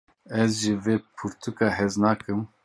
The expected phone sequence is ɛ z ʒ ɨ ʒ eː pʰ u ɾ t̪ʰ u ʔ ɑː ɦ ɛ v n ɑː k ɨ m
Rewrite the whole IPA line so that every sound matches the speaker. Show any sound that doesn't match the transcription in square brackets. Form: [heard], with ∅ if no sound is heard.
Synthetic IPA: ɛ z ʒ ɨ [v] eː pʰ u ɾ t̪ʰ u [k] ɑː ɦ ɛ [z] n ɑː k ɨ m